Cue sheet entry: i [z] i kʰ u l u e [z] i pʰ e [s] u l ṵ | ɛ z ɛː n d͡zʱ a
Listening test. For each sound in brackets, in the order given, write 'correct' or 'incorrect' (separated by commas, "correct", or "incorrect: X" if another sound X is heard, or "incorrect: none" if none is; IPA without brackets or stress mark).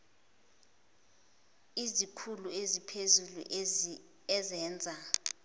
correct, correct, incorrect: z